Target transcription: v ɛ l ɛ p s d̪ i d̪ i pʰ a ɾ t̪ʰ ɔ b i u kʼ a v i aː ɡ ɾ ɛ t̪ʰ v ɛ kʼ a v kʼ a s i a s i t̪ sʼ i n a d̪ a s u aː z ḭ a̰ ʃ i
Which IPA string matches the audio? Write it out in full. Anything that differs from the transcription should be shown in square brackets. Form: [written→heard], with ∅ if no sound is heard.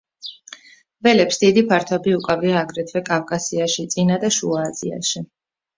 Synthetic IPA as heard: v ɛ l ɛ p s d̪ i d̪ i pʰ a ɾ t̪ʰ ɔ b i u kʼ a v i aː ɡ ɾ ɛ t̪ʰ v ɛ kʼ a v kʼ a s i a [s→ʃ] i t̪ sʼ i n a d̪ a [s→ʃ] u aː z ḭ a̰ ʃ i